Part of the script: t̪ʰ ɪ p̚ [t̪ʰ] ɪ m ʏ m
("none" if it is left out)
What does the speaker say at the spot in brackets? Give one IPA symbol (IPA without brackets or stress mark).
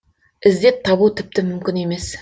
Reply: t̪